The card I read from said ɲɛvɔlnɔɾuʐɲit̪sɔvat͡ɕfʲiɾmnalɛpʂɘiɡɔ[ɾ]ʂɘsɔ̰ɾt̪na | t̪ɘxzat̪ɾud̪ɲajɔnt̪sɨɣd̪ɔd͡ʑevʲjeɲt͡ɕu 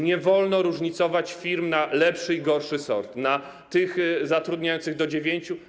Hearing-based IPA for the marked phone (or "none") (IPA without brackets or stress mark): ɾ